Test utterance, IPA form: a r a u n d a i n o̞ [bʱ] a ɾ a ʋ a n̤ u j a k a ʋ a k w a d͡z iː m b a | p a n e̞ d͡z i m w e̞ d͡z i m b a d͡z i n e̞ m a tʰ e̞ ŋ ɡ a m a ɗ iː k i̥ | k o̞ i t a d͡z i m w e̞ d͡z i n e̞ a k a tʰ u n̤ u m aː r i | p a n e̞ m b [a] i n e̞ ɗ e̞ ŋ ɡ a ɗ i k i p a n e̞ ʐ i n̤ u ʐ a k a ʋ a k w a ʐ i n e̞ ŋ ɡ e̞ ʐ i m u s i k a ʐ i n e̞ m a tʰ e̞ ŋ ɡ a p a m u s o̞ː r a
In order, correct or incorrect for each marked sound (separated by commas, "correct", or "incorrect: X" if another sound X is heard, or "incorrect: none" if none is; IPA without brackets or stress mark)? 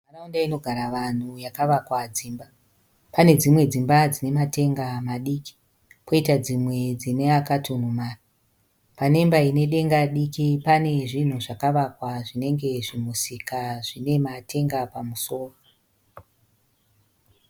incorrect: ɡʱ, correct